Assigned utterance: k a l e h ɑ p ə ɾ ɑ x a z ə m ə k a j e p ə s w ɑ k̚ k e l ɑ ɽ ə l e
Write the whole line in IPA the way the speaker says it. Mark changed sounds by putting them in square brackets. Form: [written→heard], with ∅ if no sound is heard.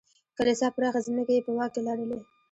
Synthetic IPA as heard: k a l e [h→s] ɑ p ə ɾ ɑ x a z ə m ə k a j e p ə [s→∅] w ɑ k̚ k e l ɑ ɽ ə l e